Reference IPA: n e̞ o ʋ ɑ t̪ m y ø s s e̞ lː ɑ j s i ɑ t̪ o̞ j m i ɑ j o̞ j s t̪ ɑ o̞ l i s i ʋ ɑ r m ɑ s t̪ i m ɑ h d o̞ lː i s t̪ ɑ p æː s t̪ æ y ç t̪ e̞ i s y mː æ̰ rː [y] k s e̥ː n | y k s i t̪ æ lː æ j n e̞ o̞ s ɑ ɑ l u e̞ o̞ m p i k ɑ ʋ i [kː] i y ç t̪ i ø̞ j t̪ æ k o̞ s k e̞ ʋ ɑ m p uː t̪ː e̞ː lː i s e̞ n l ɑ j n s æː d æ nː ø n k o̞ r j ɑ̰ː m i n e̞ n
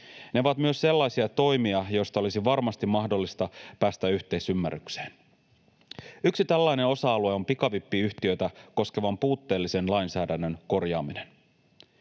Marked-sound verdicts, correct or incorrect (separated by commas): correct, incorrect